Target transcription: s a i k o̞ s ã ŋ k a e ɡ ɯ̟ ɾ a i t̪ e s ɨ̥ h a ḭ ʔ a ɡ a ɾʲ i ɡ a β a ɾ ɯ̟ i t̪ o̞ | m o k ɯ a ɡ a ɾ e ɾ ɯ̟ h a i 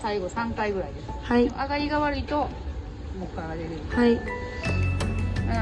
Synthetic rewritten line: s a i ɡ o̞ s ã ŋ k a i ɡ ɯ̟ ɾ a i d̪ e s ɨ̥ h a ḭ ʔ a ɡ a ɾʲ i ɡ a β a ɾ ɯ̟ i t̪ o̞ | m o k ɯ a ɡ a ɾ e ɾ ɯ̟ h a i

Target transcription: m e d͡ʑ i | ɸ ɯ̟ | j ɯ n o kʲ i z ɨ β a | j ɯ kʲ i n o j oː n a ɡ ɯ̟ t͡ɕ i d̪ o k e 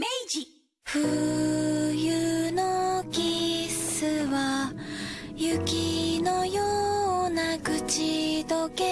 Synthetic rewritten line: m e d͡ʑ i | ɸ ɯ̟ | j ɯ n o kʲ i s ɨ β a | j ɯ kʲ i n o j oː n a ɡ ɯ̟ t͡ɕ i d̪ o k e

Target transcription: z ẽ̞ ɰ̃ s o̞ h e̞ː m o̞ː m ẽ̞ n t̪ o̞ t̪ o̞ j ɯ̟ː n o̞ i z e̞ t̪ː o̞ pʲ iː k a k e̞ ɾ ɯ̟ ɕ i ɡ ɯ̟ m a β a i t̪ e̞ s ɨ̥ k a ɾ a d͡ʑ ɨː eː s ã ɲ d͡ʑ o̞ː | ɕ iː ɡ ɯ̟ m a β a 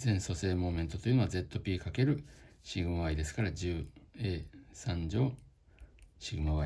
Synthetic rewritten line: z ẽ̞ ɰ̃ s o̞ s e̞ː m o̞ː m ẽ̞ n t̪ o̞ t̪ o̞ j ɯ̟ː n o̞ a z e̞ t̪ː o̞ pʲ iː k a k e̞ ɾ ɯ̟ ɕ i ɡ ɯ̟ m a β a i d̪ e̞ s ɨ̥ k a ɾ a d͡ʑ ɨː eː s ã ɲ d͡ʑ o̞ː | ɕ i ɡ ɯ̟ m a β a

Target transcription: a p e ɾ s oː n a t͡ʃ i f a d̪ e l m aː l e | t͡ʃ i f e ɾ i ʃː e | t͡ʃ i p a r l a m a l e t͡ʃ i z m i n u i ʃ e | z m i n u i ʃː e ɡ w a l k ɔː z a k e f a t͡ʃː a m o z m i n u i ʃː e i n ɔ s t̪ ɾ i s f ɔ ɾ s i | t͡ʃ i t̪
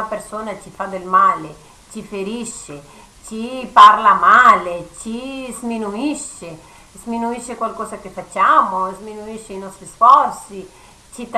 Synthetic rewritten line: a p e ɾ s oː n a t͡ʃ i f a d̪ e l m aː l e | t͡ʃ i f e ɾ i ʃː e | t͡ʃ i p a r l a m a l e t͡ʃ i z m i n u i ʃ e | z m i n u i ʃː e k w a l k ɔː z a k e f a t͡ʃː a m o z m i n u i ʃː e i n ɔ s t̪ ɾ i s f ɔ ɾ s i | t͡ʃ i t̪

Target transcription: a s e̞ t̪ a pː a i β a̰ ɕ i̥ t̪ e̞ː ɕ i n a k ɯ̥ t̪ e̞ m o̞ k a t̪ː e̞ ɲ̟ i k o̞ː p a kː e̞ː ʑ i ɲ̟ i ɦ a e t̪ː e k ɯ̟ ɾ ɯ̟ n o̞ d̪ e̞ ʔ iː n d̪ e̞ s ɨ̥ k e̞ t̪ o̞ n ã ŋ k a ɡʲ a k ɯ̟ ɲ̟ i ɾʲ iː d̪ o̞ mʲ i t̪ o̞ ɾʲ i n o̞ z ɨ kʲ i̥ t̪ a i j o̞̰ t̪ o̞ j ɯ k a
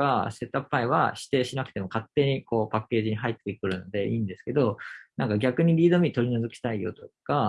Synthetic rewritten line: a s e̞ t̪ a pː a i β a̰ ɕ i̥ t̪ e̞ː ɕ i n a k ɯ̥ t̪ e̞ m o̞ k a t̪ː e̞ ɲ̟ i k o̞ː p a kː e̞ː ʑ i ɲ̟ i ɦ a i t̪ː e k ɯ̟ ɾ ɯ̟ n o̞ d̪ e̞ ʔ iː n d̪ e̞ s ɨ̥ k e̞ d̪ o̞ n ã ŋ k a ɡʲ a k ɯ̟ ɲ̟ i ɾʲ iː d̪ o̞ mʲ i t̪ o̞ ɾʲ i n o̞ z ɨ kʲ i̥ t̪ a i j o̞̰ t̪ o̞ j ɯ k a

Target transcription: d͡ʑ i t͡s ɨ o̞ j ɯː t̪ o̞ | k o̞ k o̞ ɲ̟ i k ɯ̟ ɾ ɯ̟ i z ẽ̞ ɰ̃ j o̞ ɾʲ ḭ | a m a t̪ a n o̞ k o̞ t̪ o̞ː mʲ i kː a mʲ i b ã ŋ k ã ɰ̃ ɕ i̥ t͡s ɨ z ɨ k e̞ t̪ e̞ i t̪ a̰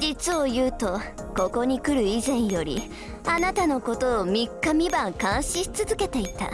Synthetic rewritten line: d͡ʑ i t͡s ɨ o̞ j ɯː t̪ o̞ | k o̞ k o̞ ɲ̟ i k ɯ̟ ɾ ɯ̟ i z ẽ̞ ɰ̃ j o̞ ɾʲ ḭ | a n a t̪ a n o̞ k o̞ t̪ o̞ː mʲ i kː a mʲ i b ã ŋ k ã ɰ̃ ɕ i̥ t͡s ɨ z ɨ k e̞ t̪ e̞ i t̪ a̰

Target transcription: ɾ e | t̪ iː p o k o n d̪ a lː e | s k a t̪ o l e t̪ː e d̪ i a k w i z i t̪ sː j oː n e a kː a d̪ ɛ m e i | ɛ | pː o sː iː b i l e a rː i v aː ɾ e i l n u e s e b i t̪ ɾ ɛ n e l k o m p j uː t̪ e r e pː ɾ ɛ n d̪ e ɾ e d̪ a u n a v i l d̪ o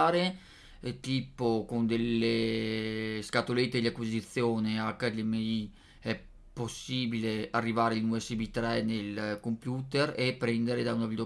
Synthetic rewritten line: ɾ e | t̪ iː p o k o n d̪ e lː e | s k a t̪ o l e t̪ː e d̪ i a k w i z i t̪ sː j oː n e a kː a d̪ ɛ m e i | ɛ | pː o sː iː b i l e a rː i v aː ɾ e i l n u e s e b i t̪ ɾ ɛ n e l k o m p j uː t̪ e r e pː ɾ ɛ n d̪ e ɾ e d̪ a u n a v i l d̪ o

